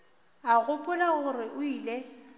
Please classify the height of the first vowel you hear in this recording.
low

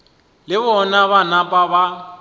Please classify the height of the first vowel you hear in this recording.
high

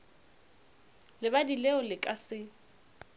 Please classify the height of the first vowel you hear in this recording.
high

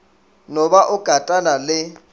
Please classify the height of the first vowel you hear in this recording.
mid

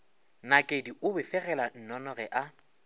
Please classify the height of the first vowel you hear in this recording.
low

